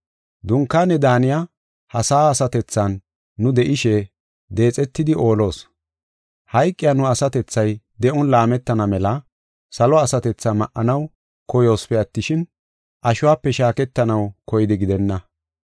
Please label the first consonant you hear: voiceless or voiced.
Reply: voiced